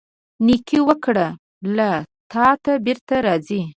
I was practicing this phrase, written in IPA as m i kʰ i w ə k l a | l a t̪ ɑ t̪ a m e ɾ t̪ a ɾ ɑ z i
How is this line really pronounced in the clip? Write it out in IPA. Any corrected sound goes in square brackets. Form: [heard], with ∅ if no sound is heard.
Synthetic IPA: [n] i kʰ i w ə k [ɽ] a | l a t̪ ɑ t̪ a [b] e ɾ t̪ a ɾ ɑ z i